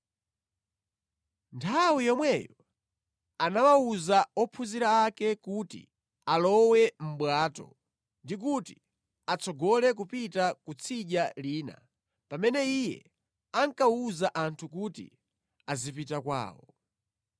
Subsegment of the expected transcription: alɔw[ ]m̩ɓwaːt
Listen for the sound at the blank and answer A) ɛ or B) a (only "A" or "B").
A